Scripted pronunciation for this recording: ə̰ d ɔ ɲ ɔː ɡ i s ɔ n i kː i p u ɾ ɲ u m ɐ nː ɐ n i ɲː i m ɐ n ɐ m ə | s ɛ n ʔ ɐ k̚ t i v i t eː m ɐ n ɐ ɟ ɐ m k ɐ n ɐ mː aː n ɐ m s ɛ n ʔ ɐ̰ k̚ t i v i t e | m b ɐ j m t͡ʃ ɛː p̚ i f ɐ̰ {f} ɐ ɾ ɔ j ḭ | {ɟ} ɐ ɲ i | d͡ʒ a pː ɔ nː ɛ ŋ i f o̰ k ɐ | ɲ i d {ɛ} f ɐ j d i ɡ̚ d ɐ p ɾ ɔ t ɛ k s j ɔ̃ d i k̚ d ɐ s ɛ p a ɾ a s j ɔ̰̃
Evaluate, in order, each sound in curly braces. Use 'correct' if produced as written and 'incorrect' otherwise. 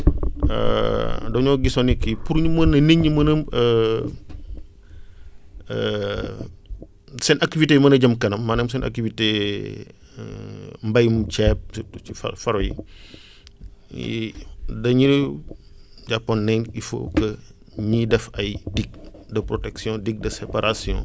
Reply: correct, incorrect: d, correct

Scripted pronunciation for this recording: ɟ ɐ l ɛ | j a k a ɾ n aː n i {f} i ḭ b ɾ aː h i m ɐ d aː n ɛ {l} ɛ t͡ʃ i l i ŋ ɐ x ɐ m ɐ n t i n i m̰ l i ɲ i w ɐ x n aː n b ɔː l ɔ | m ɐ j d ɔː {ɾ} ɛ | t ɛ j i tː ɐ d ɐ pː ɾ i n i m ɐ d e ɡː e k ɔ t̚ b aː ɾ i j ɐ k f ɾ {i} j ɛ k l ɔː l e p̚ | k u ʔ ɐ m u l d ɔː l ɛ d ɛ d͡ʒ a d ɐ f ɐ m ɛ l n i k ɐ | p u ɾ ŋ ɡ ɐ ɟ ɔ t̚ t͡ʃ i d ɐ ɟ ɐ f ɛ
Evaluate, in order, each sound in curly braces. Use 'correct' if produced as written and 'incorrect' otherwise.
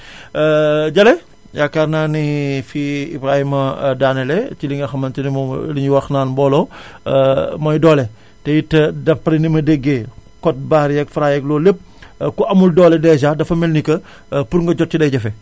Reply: correct, correct, incorrect: l, incorrect: a

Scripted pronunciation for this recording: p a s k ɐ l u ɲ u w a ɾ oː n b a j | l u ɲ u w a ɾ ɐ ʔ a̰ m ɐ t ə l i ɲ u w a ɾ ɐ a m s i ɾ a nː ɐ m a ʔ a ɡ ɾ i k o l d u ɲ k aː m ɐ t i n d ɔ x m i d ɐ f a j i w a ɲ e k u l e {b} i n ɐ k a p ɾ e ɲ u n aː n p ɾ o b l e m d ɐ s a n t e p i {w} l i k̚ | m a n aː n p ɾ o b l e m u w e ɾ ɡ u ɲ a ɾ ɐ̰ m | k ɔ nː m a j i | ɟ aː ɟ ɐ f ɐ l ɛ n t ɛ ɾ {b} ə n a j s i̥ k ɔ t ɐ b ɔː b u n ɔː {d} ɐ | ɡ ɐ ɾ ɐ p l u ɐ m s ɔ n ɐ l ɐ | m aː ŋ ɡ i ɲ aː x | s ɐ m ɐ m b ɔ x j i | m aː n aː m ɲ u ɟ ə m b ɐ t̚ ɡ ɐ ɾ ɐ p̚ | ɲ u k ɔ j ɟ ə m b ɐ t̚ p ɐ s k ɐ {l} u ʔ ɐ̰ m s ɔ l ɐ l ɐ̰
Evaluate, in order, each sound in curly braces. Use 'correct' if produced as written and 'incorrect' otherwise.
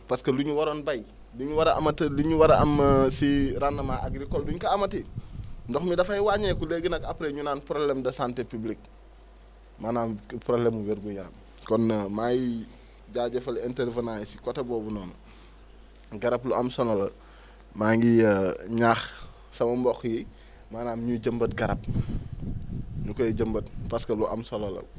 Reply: incorrect: ɡ, incorrect: b, incorrect: v, incorrect: n, correct

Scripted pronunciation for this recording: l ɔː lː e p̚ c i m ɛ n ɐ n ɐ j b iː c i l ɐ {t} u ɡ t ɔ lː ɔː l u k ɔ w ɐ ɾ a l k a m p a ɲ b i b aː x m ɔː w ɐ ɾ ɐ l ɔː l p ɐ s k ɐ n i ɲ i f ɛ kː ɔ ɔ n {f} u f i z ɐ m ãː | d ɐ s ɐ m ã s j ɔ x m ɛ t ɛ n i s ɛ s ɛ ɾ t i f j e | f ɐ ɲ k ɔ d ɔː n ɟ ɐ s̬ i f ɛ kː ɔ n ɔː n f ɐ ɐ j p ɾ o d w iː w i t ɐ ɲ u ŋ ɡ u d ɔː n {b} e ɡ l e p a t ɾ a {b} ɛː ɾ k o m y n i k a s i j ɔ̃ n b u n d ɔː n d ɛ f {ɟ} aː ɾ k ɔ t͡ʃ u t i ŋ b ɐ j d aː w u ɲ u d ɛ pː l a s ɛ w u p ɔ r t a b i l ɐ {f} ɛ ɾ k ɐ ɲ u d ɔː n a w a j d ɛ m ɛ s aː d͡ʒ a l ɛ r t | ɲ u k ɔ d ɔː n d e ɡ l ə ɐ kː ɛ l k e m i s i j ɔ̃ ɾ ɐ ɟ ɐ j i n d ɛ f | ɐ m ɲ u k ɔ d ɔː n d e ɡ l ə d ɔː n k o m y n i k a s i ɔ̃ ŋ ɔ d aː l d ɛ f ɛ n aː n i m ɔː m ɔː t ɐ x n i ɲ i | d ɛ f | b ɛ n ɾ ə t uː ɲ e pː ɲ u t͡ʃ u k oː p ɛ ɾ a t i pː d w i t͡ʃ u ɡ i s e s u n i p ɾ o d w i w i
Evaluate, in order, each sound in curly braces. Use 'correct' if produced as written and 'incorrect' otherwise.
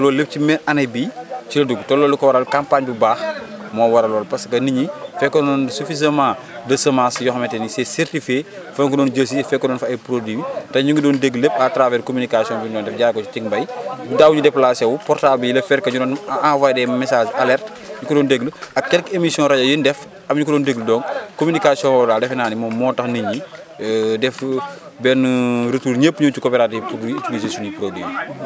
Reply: incorrect: d, incorrect: s, incorrect: d, incorrect: v, correct, correct

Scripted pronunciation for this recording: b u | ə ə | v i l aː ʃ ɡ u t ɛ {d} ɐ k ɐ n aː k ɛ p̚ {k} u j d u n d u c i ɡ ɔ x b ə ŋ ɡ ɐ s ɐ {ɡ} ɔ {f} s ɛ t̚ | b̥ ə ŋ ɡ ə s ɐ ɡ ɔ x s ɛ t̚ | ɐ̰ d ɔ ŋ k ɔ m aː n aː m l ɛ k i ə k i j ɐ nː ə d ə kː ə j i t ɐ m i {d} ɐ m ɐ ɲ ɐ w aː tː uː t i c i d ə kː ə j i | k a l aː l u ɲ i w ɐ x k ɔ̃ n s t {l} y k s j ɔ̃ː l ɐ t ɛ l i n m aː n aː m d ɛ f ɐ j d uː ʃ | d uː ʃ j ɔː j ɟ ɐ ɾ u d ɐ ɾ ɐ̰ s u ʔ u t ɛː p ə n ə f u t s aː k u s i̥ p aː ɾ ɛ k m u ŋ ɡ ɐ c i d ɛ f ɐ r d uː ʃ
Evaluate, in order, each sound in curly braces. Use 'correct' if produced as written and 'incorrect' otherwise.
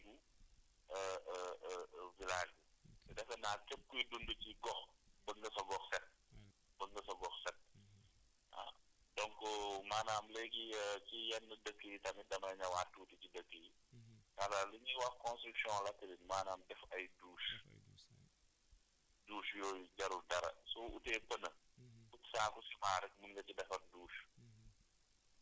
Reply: correct, correct, correct, incorrect: x, correct, incorrect: ɾ

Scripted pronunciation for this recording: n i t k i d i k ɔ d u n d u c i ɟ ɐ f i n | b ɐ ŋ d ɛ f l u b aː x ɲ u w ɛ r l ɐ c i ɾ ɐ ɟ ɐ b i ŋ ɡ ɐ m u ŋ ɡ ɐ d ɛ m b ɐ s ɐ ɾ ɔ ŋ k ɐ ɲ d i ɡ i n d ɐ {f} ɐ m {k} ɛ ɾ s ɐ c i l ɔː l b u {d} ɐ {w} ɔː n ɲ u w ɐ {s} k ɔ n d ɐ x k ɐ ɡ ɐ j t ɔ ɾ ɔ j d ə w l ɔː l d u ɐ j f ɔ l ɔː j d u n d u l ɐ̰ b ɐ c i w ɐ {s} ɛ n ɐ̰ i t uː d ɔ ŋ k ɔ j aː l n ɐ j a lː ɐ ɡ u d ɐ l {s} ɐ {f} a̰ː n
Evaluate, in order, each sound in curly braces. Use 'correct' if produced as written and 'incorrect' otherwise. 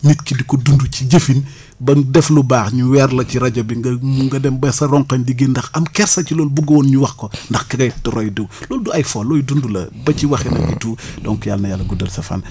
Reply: incorrect: x, correct, incorrect: ɡ, correct, incorrect: x, incorrect: x, correct, correct

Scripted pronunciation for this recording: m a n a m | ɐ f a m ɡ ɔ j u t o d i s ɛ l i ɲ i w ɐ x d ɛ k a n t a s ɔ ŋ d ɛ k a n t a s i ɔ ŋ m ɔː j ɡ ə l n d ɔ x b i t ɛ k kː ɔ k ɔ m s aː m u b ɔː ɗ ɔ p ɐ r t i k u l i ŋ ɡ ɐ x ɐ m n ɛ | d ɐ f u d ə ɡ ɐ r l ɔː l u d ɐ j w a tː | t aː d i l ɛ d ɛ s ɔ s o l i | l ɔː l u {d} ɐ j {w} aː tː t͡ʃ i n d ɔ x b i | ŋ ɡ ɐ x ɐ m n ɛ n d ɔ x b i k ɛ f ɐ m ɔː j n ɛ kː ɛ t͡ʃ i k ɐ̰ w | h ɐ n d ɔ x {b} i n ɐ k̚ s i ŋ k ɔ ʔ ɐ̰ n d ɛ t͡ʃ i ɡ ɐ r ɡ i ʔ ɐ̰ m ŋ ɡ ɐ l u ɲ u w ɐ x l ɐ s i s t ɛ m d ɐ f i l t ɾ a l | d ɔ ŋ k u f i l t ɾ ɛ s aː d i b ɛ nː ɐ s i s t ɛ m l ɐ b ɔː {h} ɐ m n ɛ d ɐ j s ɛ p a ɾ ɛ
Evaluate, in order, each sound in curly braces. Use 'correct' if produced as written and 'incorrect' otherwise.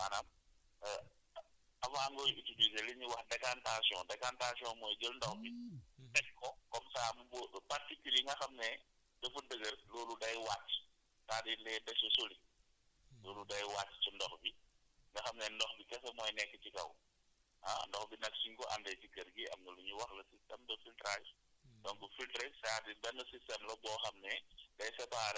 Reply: correct, correct, correct, incorrect: x

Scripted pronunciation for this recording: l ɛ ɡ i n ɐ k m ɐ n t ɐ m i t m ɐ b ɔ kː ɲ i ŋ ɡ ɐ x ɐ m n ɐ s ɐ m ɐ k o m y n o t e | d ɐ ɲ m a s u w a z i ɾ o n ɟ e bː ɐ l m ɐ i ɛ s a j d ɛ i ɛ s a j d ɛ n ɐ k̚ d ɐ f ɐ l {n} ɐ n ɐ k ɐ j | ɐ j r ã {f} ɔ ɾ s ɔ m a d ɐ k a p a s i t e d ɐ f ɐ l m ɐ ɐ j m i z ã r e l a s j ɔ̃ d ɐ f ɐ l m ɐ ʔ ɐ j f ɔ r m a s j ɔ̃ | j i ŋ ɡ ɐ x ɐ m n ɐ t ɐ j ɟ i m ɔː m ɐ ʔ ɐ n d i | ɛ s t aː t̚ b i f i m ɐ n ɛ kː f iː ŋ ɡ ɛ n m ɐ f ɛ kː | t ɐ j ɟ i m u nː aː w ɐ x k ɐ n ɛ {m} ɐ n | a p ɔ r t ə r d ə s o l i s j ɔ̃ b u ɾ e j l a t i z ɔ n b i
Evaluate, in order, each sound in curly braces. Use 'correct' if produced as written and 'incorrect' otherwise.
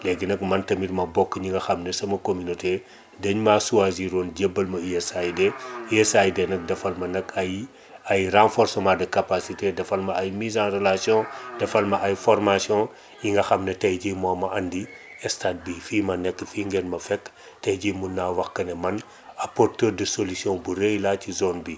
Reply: incorrect: m, correct, correct

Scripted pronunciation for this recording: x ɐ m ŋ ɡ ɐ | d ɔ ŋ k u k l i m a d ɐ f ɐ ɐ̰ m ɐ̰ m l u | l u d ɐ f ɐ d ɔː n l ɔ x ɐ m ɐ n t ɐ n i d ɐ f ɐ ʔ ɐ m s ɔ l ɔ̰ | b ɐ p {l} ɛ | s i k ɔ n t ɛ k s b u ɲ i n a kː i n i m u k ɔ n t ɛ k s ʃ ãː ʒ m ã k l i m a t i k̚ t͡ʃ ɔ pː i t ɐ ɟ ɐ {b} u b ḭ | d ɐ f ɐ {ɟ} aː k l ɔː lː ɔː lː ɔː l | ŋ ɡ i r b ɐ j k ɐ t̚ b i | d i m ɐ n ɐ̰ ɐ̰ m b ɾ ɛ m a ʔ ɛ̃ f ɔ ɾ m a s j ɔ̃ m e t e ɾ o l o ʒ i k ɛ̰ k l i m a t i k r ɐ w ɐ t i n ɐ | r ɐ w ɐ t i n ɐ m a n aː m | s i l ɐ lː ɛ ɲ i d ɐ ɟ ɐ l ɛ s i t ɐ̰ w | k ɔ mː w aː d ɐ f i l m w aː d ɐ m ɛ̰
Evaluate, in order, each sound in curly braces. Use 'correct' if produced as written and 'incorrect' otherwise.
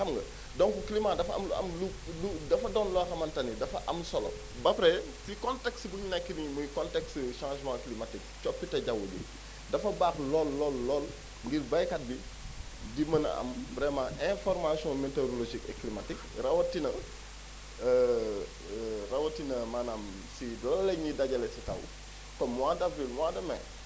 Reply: incorrect: ɾ, incorrect: w, incorrect: b

